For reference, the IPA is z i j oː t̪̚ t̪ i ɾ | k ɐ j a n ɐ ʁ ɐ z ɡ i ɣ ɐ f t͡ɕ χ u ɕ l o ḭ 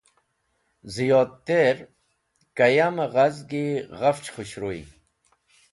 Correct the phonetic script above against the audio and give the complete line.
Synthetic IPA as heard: z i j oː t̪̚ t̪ e ɾ | k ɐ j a m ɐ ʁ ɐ z ɡ i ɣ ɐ f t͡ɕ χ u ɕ ɾ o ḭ